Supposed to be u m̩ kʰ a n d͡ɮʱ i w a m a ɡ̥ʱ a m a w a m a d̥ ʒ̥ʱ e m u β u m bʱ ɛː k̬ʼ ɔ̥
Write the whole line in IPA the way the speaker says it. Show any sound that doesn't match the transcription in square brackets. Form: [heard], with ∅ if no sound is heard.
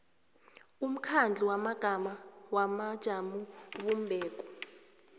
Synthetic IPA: u m̩ kʰ a n d͡ɮʱ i w a m a ɡ̥ʱ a m a w a m a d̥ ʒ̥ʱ [a] m u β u m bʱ ɛː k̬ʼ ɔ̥